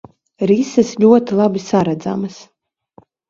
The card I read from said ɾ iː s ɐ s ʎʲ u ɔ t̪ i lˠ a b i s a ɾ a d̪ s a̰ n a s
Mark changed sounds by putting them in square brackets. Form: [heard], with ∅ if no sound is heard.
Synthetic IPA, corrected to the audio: ɾ [i] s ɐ s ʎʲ u ɔ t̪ i lˠ a b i s a ɾ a d̪ [z] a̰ [m] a s